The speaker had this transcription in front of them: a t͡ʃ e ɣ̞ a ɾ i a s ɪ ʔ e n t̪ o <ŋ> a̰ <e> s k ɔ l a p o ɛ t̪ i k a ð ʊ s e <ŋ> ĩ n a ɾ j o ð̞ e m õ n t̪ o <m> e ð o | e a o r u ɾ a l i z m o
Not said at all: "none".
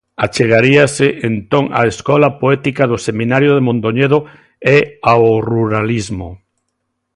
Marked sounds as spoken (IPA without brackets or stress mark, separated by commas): ŋ, e, m, ɲ